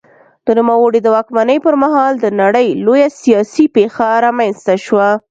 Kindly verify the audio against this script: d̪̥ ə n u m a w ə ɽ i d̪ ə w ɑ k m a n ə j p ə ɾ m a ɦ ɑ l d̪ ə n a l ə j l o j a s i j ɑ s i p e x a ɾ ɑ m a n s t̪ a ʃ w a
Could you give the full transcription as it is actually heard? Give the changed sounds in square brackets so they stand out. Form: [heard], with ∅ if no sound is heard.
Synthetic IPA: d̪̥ ə n u m a w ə ɽ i d̪ ə w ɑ k m a n ə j p ə ɾ m a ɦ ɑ l d̪ ə n a [ɽ] ə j l o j a s i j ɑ s i p e x a ɾ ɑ m a n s t̪ a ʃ w a